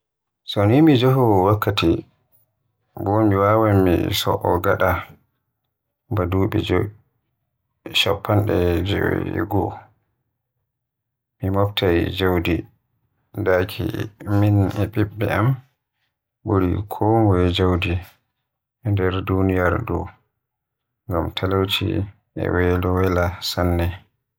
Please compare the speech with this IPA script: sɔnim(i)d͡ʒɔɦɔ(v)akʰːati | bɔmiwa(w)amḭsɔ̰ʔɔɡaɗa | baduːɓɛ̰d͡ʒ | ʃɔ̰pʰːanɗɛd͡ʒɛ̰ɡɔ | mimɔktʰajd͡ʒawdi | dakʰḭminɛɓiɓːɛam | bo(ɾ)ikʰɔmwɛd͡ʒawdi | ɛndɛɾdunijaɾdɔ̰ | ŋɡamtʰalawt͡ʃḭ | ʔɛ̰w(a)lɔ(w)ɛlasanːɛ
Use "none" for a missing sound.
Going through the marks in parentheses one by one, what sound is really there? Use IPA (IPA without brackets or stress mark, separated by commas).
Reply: i, w, w, ɾ, ɛ, w